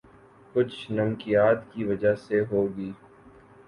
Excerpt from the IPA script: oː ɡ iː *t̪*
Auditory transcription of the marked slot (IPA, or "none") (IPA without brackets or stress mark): none